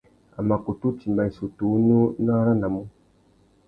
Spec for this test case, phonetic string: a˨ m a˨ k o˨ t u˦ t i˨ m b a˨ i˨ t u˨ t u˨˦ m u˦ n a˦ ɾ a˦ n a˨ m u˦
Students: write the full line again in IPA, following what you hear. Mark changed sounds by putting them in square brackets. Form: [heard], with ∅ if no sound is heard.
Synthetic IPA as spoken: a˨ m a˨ k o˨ t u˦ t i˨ m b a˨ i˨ [s] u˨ t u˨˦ [n] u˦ n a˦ ɾ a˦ n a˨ m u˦